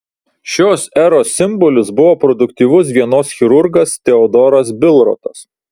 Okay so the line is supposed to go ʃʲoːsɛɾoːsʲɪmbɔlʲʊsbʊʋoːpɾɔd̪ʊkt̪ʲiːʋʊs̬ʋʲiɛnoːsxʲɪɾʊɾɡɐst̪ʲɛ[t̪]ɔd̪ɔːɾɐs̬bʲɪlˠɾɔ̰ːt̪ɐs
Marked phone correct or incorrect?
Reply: incorrect